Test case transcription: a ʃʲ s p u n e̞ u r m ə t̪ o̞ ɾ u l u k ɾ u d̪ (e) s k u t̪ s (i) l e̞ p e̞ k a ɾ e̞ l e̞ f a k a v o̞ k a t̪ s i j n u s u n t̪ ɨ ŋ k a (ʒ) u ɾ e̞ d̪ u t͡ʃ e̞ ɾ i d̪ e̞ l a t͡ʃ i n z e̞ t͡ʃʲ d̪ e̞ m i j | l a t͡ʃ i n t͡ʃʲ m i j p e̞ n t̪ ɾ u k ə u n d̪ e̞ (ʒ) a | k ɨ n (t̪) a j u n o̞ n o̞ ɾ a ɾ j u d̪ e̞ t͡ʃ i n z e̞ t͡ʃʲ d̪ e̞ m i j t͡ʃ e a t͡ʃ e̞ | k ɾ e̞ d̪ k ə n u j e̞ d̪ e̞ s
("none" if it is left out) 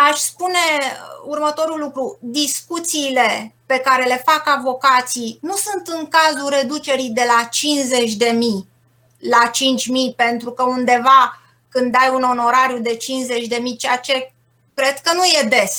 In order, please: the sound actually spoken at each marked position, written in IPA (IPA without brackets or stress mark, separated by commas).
i, iː, z, v, d̪